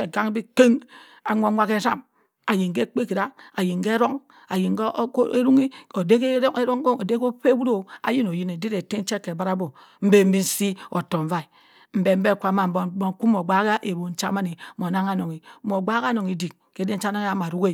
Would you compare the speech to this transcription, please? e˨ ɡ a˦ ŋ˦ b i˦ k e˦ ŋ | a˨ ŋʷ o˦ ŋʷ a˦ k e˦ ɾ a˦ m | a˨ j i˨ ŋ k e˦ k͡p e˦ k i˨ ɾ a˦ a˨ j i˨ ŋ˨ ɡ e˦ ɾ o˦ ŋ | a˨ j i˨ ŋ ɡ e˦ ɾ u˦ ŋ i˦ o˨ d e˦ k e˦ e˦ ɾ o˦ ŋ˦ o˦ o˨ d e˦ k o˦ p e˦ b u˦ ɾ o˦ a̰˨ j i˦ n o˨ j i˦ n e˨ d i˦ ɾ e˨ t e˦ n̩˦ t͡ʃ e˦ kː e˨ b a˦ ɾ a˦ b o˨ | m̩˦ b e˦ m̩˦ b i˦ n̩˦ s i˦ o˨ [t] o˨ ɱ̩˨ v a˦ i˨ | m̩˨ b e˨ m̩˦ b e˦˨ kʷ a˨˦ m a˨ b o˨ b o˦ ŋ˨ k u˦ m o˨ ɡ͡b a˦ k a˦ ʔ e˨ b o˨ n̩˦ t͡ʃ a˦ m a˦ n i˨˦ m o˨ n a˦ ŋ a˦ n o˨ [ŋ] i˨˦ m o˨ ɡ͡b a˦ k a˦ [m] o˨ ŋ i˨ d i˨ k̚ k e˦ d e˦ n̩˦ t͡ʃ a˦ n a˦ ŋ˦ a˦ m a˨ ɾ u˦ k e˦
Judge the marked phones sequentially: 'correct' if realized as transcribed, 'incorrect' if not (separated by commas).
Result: correct, correct, incorrect